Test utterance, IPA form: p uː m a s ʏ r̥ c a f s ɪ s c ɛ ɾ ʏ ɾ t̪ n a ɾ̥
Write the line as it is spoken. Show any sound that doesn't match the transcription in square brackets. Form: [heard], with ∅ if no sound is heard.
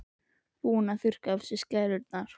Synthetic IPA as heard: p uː [n] a [θ] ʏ r̥ [k] a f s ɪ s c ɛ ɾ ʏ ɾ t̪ n a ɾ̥